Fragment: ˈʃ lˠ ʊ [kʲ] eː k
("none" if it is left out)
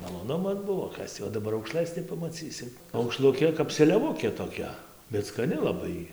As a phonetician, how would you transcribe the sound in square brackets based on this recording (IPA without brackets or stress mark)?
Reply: kʲ